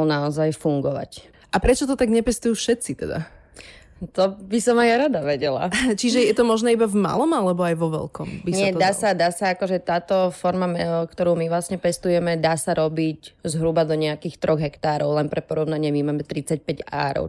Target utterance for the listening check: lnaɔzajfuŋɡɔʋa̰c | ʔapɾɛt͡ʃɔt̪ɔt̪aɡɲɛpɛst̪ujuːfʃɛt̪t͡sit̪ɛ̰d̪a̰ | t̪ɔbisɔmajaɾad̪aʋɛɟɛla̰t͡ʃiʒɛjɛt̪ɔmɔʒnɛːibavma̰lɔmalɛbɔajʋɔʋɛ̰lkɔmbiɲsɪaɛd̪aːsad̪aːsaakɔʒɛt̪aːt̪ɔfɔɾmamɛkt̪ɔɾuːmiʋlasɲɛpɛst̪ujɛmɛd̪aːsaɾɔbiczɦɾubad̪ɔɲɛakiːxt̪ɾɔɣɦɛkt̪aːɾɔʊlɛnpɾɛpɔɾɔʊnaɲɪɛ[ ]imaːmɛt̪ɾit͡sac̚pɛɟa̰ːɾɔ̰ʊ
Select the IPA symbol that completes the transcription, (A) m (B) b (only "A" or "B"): A